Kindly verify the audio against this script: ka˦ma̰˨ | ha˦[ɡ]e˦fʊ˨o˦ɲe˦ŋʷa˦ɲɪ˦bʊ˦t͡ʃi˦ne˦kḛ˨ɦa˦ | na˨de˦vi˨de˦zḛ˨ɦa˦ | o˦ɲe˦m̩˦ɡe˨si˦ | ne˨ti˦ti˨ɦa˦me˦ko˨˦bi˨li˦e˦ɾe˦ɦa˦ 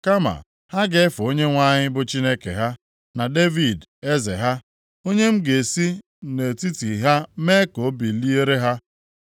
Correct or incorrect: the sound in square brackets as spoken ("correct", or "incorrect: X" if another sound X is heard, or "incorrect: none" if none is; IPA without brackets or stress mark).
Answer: correct